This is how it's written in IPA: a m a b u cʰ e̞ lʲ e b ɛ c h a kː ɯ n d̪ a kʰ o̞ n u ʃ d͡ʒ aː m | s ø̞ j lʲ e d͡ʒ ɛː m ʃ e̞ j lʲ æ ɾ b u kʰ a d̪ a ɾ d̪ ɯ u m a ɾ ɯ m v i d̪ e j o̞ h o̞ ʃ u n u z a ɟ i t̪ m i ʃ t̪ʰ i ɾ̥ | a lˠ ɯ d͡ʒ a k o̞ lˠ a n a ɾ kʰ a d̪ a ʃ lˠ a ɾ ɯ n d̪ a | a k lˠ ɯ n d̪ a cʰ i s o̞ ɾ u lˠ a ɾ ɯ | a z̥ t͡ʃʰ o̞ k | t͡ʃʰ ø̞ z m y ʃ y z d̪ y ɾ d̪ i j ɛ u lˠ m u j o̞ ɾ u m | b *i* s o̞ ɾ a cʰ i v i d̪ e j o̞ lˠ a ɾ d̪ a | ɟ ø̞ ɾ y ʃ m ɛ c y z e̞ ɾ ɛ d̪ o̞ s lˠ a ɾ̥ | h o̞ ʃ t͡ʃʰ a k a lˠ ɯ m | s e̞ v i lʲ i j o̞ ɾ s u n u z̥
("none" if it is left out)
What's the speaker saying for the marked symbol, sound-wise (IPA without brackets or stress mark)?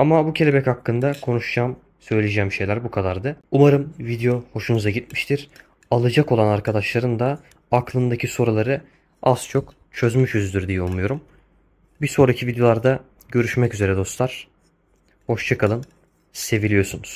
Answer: i